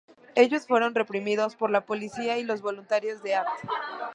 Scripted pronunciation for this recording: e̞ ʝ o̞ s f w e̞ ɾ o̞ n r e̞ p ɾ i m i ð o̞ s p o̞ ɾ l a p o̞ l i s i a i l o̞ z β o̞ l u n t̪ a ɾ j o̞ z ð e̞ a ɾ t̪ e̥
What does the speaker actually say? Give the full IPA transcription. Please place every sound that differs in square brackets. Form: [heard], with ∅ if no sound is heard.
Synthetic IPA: e̞ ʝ o̞ s f w e̞ ɾ o̞ n r e̞ p ɾ i m i ð o̞ s p o̞ ɾ l a p o̞ l i s i a i l o̞ z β o̞ l u n t̪ a ɾ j o̞ z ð e̞ a ɾ t̪ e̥

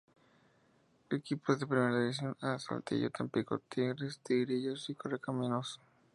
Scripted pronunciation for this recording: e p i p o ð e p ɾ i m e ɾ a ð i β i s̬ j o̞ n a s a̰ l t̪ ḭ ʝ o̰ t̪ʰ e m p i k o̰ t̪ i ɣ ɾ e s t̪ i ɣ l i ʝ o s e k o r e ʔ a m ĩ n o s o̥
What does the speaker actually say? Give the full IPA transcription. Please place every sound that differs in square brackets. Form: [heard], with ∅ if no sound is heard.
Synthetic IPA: e [k] i p o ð e p ɾ i m e ɾ a ð i β i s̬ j o̞ n a s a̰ l t̪ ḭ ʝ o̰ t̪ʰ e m p i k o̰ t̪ i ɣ ɾ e s t̪ i ɣ [ɾ] i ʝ o s [i] k o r e [k] a m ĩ n o s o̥

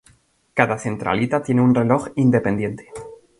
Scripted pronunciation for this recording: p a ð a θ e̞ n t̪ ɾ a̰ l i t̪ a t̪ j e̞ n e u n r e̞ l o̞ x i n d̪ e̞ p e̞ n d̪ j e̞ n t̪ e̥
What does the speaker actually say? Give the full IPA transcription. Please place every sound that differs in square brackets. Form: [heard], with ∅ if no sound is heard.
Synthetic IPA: [k] a ð a θ e̞ n t̪ ɾ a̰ l i t̪ a t̪ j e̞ n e u n r e̞ l o̞ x i n d̪ e̞ p e̞ n d̪ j e̞ n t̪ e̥

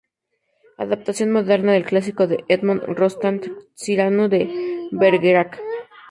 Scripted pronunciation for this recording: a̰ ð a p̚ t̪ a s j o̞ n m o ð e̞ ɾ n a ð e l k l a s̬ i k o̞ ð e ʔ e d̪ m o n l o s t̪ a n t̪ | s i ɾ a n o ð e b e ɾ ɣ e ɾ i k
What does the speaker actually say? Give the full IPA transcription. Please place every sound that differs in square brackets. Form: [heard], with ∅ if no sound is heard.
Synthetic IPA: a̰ ð a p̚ t̪ a s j o̞ n m o ð e̞ ɾ n a ð e l k l a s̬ i k o̞ ð e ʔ e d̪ m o n [r] o s t̪ a n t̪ | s i ɾ a n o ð e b e ɾ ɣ e ɾ [a] k

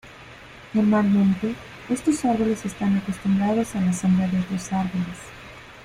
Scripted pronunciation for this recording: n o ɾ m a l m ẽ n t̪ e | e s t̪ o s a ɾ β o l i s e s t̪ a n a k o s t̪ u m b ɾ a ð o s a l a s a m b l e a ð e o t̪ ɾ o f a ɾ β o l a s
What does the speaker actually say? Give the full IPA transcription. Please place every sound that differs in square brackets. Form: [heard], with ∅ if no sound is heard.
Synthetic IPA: n o ɾ m a l m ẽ n t̪ e | e s t̪ o s a ɾ β o l [e] s e s t̪ a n a k o s t̪ u m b ɾ a ð o s a l a s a m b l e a ð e o t̪ ɾ o [s] a ɾ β o l [e] s

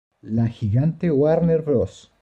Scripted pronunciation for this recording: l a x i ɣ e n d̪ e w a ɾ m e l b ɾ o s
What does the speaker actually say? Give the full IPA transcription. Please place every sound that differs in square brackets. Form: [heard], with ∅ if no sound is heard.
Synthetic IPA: l a x i ɣ [a] n [t̪] e w a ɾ [n] e [ɾ] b ɾ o s

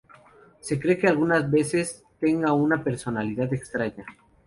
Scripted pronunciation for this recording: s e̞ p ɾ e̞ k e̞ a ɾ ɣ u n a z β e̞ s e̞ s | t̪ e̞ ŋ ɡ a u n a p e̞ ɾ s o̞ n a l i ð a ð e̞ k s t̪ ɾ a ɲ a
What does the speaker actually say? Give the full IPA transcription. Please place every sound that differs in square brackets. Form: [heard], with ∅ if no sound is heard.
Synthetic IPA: s e̞ [k] ɾ e̞ k e̞ a [l] ɣ u n a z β e̞ s e̞ s | t̪ e̞ ŋ ɡ a u n a p e̞ ɾ s o̞ n a l i ð a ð e̞ k s t̪ ɾ a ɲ a

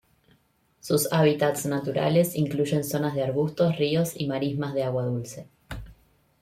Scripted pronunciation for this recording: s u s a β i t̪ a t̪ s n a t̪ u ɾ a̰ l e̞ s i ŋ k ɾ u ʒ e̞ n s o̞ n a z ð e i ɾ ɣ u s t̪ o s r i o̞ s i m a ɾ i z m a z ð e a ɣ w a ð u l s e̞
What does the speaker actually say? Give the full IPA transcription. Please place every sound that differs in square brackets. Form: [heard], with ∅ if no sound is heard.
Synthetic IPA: s u s a β i t̪ a t̪ s n a t̪ u ɾ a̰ l e̞ s i ŋ k [l] u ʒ e̞ n s o̞ n a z ð e [a] ɾ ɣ u s t̪ o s r i o̞ s i m a ɾ i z m a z ð e a ɣ w a ð u l s e̞

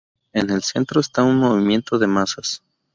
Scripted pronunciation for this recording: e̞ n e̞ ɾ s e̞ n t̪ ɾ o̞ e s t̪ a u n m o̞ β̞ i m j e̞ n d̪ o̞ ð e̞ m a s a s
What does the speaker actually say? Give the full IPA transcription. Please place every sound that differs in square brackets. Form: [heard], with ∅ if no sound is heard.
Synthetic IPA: e̞ n e̞ [l] s e̞ n t̪ ɾ o̞ e s t̪ a u n m o̞ β̞ i m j e̞ n [t̪] o̞ ð e̞ m a s a s

